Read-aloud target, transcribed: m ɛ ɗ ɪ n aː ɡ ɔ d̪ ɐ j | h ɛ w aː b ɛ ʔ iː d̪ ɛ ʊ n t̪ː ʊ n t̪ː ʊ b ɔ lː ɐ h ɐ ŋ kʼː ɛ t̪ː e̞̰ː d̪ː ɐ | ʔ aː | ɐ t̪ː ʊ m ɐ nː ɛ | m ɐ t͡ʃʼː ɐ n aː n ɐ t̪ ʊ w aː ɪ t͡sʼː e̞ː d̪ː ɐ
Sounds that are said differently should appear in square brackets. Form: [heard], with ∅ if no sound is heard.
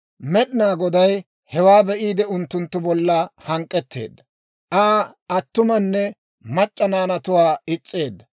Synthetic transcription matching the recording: m ɛ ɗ ɪ n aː ɡ ɔ d̪ ɐ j | h ɛ w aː b ɛ ʔ iː d̪ ɛ ʊ n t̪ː ʊ n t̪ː ʊ b ɔ lː ɐ h ɐ ŋ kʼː ɛ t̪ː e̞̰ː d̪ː ɐ | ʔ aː | ɐ t̪ː ʊ m ɐ nː ɛ | m ɐ t͡ʃʼː ɐ n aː n ɐ t̪ ʊ w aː ɪ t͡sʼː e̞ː d̪ː ɐ